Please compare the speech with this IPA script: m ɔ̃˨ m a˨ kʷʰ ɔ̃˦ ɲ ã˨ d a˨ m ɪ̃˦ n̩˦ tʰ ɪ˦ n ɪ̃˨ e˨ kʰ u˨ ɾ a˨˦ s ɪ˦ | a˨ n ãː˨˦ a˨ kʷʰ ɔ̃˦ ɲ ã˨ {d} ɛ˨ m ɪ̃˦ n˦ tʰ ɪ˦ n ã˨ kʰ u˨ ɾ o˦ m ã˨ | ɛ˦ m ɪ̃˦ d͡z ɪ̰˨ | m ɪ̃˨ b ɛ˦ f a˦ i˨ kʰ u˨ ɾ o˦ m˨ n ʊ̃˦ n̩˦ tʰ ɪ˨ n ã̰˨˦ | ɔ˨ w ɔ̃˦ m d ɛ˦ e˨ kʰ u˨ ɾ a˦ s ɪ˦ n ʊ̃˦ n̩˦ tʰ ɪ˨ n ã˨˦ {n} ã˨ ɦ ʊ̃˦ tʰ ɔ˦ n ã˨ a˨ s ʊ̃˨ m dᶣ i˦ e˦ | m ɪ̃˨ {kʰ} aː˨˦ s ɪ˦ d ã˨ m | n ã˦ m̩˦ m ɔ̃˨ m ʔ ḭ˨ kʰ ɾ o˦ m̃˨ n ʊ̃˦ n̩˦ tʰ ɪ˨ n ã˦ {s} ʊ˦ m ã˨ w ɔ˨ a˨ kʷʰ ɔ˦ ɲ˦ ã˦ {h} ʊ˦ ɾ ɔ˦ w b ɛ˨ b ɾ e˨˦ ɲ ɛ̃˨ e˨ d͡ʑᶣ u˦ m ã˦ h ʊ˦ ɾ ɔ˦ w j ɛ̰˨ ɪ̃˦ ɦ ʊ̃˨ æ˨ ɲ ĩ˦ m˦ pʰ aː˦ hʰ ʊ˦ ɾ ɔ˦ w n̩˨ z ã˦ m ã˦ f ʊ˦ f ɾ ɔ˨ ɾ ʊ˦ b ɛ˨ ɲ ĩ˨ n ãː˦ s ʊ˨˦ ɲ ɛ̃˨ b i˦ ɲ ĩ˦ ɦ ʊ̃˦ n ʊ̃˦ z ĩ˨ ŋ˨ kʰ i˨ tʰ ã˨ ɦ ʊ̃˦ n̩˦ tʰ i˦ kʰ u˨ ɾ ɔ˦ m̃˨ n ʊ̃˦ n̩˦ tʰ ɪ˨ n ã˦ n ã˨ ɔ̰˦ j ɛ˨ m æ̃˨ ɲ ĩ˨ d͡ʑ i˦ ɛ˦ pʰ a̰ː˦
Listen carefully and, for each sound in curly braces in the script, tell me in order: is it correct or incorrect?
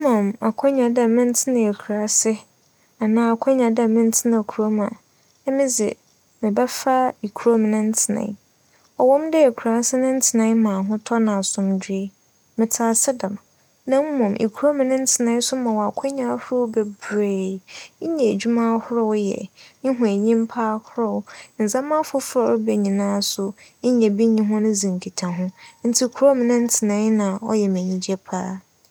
correct, incorrect: m, incorrect: tʰ, correct, correct

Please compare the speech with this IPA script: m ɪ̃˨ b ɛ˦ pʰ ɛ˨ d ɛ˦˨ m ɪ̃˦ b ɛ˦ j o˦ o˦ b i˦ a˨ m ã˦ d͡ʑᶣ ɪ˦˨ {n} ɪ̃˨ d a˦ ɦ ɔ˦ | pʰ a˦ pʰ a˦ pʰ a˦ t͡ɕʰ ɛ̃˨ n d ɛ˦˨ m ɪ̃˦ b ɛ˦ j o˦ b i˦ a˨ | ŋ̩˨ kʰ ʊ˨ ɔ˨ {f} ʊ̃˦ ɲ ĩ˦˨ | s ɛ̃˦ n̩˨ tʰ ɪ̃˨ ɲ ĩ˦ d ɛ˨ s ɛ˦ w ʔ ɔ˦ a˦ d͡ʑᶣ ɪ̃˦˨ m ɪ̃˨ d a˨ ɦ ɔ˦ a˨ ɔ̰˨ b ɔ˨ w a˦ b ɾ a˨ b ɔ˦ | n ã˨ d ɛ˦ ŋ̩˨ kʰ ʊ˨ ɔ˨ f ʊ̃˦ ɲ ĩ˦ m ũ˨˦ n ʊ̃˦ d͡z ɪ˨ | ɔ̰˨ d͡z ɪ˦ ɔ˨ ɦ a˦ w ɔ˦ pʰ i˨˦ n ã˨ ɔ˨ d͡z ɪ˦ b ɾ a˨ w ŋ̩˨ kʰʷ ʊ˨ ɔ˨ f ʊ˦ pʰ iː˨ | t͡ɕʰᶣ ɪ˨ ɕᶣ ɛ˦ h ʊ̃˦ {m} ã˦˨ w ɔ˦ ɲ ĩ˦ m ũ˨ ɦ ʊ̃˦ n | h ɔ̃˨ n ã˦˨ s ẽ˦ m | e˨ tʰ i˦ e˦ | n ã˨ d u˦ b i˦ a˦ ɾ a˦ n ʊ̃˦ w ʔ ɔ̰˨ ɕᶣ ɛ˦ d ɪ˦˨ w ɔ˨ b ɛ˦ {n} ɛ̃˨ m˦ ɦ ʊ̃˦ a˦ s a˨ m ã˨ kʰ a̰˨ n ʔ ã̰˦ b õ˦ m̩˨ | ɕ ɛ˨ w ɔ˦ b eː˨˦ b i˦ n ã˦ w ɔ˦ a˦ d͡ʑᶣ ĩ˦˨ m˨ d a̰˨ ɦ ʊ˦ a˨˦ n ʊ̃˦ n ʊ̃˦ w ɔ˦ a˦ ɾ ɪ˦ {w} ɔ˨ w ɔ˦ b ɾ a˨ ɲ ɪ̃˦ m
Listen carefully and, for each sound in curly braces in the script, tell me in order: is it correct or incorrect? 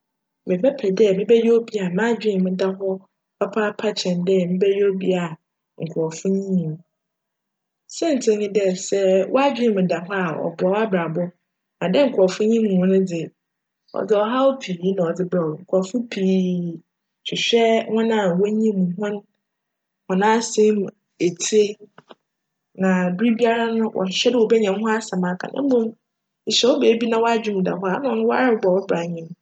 incorrect: m, correct, incorrect: n, incorrect: ɲ, incorrect: b

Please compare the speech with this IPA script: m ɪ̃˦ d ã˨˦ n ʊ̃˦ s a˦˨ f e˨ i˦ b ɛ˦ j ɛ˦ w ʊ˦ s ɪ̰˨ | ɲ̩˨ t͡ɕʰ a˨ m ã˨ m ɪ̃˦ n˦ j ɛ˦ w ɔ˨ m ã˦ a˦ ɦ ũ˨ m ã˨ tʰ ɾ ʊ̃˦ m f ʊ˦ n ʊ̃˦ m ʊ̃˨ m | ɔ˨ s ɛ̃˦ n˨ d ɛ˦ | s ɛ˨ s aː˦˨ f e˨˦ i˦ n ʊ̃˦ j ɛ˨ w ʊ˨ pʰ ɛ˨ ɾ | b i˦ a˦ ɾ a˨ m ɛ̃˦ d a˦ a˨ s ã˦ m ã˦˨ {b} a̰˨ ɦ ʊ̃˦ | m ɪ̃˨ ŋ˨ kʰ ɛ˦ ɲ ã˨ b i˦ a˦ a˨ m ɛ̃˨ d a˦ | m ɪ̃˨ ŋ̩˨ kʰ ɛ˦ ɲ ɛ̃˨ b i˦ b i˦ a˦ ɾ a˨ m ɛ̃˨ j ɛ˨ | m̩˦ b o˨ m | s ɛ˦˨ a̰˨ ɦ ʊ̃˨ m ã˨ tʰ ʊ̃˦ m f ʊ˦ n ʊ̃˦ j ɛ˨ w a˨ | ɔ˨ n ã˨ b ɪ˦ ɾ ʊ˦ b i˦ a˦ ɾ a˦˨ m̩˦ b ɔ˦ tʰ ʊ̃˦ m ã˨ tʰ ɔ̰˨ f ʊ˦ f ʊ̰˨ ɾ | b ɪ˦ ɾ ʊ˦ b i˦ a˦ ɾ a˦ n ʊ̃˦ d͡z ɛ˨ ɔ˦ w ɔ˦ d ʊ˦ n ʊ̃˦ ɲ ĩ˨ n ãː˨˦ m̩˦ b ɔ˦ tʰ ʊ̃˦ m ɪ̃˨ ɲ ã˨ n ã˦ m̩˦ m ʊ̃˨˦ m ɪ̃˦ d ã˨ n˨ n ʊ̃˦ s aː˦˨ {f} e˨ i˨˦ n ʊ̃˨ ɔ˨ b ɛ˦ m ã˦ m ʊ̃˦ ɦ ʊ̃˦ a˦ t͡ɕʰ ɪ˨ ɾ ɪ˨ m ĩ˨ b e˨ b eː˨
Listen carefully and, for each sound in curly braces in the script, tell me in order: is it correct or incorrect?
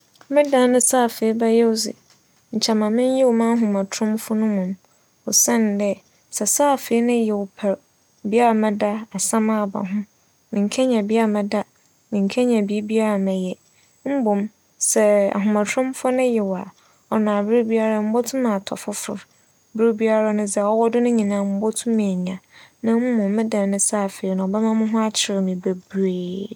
correct, correct

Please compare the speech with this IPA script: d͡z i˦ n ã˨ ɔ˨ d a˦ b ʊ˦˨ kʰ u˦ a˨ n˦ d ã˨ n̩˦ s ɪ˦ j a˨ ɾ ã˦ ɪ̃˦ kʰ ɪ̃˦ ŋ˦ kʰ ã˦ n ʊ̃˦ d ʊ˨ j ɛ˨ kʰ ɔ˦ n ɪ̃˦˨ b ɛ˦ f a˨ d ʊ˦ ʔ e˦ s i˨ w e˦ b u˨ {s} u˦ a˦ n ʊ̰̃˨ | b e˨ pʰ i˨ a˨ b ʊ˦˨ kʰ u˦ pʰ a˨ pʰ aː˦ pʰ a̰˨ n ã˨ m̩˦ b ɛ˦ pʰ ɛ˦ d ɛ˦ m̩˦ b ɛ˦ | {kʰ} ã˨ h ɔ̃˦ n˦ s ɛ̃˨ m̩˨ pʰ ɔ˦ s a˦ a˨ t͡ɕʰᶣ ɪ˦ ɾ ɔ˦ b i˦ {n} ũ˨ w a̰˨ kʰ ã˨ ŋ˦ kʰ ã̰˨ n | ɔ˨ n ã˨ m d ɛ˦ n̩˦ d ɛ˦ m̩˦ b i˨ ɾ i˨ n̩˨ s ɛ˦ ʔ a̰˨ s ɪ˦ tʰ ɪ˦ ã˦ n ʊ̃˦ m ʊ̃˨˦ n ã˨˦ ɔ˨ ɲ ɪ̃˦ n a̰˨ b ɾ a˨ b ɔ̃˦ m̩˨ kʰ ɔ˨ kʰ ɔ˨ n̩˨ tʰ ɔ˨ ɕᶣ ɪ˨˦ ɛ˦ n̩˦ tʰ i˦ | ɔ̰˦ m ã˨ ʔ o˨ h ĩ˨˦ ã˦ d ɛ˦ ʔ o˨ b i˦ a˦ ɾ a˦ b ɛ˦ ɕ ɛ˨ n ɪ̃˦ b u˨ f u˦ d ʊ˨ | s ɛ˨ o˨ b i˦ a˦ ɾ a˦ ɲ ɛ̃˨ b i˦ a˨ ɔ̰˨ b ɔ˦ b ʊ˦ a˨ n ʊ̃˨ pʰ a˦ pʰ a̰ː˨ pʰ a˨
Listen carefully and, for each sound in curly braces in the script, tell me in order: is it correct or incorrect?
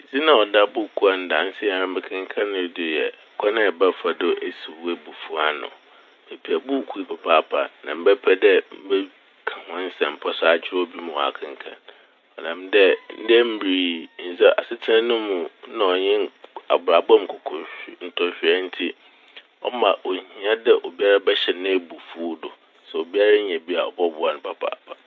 incorrect: f, correct, incorrect: m

